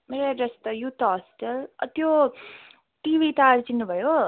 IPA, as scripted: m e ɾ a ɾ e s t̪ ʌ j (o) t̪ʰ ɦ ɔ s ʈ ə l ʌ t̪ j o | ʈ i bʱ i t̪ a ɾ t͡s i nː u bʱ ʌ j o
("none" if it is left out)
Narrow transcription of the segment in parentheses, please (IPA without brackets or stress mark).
u